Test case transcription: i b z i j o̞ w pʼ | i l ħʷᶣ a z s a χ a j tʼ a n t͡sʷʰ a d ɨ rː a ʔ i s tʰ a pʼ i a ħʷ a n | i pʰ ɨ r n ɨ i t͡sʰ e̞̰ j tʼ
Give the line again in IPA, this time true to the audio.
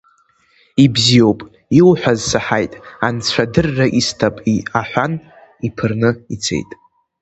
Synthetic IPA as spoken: i b z i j o̞ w pʼ | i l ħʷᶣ a z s a ħ a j tʼ a n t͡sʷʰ a d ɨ rː a ʔ i s tʰ a pʼ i a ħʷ a n | i pʰ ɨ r n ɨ i t͡sʰ e̞̰ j tʼ

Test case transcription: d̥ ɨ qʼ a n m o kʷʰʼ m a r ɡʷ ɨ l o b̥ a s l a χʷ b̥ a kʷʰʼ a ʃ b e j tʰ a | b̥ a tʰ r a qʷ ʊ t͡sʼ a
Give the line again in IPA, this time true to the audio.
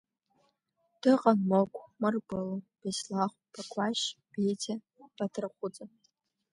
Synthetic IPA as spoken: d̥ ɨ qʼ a n m o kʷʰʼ m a r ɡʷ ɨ l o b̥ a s l a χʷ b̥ a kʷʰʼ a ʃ b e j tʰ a | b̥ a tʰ r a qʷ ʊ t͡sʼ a

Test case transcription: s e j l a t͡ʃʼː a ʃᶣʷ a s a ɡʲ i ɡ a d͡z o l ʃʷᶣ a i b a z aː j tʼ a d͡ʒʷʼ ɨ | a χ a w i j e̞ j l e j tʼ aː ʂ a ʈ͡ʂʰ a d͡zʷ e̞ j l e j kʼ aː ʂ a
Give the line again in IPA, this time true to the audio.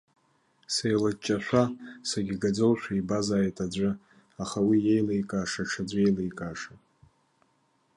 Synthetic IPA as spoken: s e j l a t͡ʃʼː a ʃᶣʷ a s a ɡʲ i ɡ a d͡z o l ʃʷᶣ a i b a z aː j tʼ a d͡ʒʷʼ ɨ | a χ a w i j e̞ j l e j kʼ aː ʂ a ʈ͡ʂʰ a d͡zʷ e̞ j l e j kʼ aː ʂ a

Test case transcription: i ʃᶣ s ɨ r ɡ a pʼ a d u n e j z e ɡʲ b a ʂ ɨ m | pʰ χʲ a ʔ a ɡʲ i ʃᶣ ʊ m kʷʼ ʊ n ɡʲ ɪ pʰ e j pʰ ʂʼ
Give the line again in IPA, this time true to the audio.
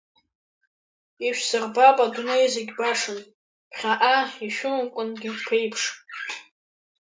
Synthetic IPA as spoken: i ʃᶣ s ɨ r b a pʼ a d u n e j z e ɡʲ b a ʂ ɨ n | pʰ χʲ a ʔ a i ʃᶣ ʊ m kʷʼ ʊ n ɡʲ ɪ pʰ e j pʰ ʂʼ

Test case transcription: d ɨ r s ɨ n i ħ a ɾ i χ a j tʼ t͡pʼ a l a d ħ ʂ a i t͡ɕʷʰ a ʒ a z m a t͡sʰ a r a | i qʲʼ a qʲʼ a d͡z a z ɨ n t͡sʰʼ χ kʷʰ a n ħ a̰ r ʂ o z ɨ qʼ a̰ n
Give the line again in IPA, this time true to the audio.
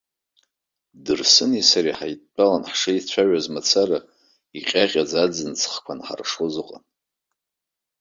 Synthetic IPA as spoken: d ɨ r s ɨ n i s a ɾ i ħ a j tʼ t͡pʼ a l a n ħ ʂ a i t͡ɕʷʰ a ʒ a z m a t͡sʰ a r a | i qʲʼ a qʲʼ a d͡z a d͡z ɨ n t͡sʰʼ χ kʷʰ a n ħ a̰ r ʂ o z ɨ qʼ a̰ n

